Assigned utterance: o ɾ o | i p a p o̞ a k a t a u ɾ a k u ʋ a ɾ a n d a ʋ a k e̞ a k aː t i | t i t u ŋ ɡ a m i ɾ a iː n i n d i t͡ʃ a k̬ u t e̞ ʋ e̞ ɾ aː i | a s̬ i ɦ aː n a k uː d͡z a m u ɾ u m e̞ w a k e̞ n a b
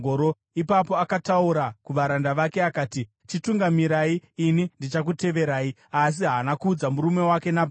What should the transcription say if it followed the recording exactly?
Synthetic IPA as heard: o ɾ o | i p a p o̞ a k a t a u ɾ a k u ʋ a ɾ a n d a ʋ a k e̞ a k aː t i | t͡ʃ i t u ŋ ɡ a m i ɾ a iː n i n d i t͡ʃ a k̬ u t e̞ ʋ e̞ ɾ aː i | a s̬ i ɦ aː n a k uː d͡z a m u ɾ u m e̞ w a k e̞ n a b